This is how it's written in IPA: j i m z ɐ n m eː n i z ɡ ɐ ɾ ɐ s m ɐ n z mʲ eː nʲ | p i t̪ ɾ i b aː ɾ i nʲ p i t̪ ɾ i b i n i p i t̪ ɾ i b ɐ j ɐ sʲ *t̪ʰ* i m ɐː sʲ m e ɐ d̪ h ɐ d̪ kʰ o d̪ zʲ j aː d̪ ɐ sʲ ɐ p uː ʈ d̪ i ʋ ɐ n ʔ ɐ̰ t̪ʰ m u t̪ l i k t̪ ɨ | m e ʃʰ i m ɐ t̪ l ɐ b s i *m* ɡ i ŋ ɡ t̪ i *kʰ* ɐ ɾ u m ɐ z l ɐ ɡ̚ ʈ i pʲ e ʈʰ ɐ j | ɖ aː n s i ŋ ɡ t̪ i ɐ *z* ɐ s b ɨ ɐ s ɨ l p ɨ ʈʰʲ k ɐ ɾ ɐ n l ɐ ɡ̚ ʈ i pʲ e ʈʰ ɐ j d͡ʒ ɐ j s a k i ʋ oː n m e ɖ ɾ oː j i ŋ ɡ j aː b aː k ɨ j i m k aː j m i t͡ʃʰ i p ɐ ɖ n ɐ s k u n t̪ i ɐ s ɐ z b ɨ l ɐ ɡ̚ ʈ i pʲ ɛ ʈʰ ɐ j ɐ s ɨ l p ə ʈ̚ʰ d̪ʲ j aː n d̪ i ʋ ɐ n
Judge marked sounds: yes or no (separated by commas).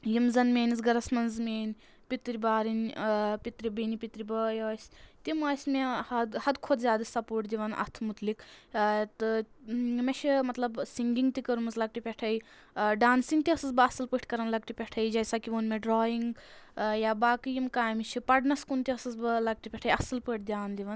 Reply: no, no, no, no